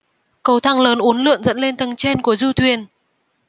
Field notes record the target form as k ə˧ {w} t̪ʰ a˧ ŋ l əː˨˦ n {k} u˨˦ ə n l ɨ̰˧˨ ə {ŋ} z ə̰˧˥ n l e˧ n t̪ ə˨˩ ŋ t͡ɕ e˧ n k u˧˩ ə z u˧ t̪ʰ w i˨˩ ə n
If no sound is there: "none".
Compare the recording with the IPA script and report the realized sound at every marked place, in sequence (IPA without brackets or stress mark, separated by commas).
w, ʔ, ŋ